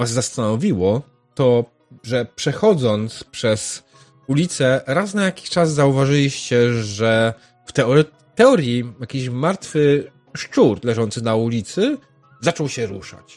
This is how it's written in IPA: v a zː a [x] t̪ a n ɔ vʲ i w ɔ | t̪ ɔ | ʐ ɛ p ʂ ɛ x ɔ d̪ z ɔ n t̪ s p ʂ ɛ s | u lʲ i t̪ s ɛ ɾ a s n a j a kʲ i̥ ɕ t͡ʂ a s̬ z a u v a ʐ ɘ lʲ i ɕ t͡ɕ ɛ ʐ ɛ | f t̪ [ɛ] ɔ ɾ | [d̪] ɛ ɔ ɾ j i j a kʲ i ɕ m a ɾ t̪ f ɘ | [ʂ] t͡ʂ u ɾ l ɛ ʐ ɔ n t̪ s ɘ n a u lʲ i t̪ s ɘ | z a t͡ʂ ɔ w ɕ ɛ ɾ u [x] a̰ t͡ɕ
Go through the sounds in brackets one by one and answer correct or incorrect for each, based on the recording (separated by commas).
incorrect, correct, incorrect, correct, incorrect